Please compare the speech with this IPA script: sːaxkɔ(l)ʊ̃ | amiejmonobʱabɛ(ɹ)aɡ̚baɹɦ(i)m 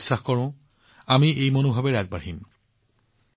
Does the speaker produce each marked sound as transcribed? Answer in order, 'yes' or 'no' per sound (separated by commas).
no, yes, yes